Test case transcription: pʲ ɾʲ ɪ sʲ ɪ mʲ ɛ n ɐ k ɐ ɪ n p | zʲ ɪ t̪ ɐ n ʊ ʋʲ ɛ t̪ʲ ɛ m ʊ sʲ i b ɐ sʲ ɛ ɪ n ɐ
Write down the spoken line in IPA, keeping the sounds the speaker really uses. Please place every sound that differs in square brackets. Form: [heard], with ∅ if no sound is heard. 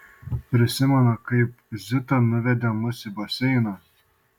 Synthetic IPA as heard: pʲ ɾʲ ɪ sʲ ɪ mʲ ɛ n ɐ k ɐ ɪ [∅] p | zʲ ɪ t̪ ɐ n ʊ ʋʲ ɛ [d̪ʲ] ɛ m ʊ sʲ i b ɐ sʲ ɛ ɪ n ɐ